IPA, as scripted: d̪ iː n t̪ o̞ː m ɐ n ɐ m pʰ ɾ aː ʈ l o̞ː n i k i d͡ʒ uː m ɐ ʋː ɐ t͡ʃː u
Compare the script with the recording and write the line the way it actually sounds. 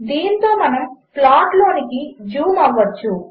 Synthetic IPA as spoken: d̪ iː n t̪ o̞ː m ɐ n ɐ m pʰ l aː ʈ l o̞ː n i k i d͡ʒ uː m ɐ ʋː ɐ t͡ʃː u